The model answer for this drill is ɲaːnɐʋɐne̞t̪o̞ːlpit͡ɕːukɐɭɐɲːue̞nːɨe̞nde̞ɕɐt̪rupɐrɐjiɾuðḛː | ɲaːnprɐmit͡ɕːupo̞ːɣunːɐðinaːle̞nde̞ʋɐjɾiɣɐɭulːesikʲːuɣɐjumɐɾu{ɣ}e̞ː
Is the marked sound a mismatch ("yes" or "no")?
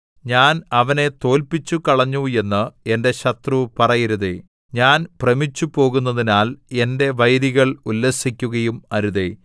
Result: yes